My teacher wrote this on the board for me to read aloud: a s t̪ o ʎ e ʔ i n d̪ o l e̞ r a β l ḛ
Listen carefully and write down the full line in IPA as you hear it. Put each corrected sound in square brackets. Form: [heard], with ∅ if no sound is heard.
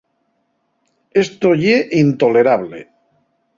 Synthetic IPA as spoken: [e] s t̪ o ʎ e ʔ i n [t̪] o l e̞ [ɾ] a β l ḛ